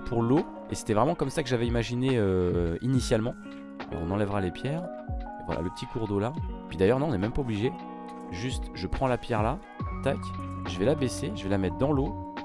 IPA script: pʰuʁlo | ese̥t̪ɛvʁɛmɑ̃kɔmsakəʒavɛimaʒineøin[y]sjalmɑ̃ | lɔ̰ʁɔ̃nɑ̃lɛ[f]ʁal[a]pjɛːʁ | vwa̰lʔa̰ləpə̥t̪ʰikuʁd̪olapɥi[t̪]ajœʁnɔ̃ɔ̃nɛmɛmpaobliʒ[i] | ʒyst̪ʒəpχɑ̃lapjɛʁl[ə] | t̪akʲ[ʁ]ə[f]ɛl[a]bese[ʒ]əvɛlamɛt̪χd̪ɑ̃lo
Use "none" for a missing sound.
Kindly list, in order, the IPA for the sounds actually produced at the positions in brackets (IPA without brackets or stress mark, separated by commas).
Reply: i, v, e, d̪, e, a, ʒ, v, a, ʒ